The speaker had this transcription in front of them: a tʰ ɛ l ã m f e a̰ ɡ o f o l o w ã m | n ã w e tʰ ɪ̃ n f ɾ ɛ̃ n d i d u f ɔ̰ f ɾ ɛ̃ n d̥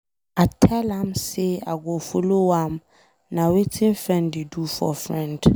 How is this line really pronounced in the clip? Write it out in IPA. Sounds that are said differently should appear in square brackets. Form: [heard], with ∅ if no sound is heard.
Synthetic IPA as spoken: a tʰ ɛ l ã m [s] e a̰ ɡ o f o l o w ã m | n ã w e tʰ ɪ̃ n f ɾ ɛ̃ n d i d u f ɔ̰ f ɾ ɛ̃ n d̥